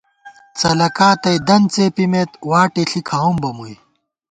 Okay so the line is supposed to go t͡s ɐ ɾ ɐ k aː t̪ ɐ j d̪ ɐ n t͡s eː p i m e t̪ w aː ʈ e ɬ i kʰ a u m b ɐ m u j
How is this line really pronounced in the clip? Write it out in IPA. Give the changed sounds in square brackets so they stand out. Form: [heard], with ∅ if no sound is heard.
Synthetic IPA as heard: t͡s ɐ [l] ɐ k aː t̪ ɐ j d̪ ɐ n t͡s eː p i m e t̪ w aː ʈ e ɬ i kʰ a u m b ɐ m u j